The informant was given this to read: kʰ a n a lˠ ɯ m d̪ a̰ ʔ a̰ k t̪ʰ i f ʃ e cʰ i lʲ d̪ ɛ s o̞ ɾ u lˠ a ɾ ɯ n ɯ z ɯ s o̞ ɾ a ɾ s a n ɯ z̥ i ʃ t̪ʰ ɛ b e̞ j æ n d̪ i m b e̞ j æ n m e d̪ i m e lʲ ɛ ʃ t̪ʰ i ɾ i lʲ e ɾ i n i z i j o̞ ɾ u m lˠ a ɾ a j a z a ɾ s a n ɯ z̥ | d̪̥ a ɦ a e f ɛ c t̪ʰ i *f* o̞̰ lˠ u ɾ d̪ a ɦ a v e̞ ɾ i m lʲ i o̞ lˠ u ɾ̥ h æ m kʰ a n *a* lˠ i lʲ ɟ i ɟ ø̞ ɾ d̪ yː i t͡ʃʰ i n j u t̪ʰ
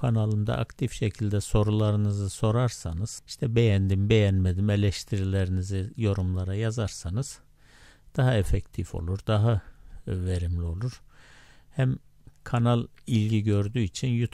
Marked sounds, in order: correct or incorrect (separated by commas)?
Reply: correct, correct